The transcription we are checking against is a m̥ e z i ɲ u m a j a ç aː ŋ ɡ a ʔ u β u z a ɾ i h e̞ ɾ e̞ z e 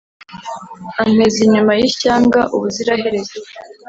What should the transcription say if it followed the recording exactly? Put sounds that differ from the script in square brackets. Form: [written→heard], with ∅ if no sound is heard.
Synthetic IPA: a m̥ e z i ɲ u m a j [a→i] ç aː ŋ ɡ a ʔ u β u z [a→i] ɾ [i→a] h e̞ ɾ e̞ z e